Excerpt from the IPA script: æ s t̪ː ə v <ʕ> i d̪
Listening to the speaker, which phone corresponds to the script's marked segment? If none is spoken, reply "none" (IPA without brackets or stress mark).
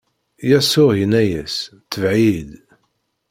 ʕ